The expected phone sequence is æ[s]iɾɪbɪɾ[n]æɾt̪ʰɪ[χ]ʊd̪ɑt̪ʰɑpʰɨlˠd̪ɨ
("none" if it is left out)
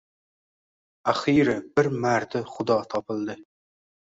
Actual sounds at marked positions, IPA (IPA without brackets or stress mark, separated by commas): χ, m, χ